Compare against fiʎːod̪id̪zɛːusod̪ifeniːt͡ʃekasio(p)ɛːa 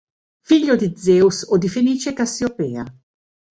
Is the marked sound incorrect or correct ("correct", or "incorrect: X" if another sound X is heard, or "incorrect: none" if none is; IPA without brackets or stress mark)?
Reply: correct